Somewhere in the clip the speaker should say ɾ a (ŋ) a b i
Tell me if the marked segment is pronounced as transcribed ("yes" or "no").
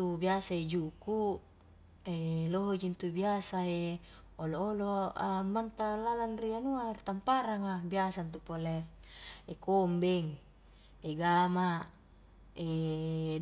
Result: yes